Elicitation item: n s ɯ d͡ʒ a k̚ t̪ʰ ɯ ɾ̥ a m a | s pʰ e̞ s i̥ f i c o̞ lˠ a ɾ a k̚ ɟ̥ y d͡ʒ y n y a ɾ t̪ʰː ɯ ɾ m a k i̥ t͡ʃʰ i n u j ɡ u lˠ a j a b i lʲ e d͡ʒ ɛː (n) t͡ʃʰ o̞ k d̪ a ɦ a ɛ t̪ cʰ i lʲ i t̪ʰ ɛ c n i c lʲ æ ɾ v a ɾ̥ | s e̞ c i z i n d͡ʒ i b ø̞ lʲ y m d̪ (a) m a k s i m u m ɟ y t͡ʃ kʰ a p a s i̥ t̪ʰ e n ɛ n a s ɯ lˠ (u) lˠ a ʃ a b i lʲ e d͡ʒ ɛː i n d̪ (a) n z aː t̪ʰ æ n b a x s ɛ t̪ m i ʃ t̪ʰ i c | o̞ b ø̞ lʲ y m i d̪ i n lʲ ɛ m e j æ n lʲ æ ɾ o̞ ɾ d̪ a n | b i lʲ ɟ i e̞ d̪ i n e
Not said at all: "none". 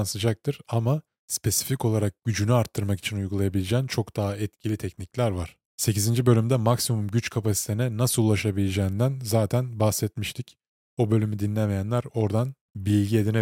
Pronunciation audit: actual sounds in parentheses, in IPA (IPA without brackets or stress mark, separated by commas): n, ɛ, u, æ